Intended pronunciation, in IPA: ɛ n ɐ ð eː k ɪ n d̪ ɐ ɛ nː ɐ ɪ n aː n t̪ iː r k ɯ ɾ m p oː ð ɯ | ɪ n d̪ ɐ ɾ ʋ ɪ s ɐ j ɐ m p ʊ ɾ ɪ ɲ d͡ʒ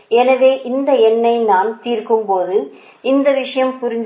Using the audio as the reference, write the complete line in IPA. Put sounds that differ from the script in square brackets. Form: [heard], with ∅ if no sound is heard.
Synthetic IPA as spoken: ɛ n ɐ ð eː [ʔ] ɪ n d̪ ɐ ɛ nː ɐ ɪ n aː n t̪ iː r k ɯ [∅] m p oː ð ɯ | ɪ n d̪ ɐ [∅] ʋ ɪ [ʂ] ɐ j ɐ m p ʊ ɾ ɪ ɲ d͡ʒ

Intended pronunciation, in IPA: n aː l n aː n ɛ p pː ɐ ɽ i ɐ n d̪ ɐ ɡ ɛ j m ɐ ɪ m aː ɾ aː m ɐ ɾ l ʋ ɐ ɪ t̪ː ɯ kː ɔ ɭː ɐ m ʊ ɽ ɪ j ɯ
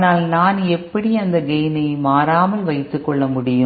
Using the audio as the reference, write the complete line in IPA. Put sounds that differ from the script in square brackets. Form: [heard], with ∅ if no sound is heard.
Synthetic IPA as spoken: n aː l n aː n ɛ p pː ɐ ɽ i ɐ n d̪ ɐ ɡ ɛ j [n] ɐ ɪ m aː ɾ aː m ɐ [∅] l ʋ ɐ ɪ t̪ː ɯ kː ɔ ɭː ɐ m ʊ ɽ ɪ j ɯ

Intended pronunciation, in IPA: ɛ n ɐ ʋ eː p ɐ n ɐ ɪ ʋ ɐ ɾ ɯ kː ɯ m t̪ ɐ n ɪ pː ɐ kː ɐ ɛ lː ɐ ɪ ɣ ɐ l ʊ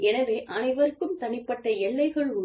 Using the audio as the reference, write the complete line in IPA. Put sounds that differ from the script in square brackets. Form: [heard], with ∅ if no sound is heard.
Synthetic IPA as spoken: ɛ n ɐ ʋ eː [ʔ] ɐ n ɐ ɪ ʋ ɐ ɾ ɯ kː ɯ m t̪ ɐ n ɪ pː ɐ [ʈː] ɐ ɛ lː ɐ ɪ ɣ ɐ [ɭ] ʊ

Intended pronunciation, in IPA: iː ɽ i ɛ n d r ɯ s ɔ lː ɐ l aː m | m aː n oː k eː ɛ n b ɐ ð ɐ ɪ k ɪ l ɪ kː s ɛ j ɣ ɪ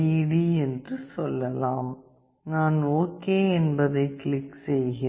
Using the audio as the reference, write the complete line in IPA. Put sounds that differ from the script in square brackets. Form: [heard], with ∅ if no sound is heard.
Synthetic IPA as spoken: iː ɽ i ɛ n d r ɯ s ɔ lː ɐ l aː m | [n] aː n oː k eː ɛ n b ɐ ð ɐ ɪ k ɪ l ɪ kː s ɛ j ɣ ɪ

